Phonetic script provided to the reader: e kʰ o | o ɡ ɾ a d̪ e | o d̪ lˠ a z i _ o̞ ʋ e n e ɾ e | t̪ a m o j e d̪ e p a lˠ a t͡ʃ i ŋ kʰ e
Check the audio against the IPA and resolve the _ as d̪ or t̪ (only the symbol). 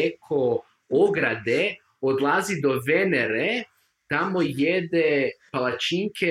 d̪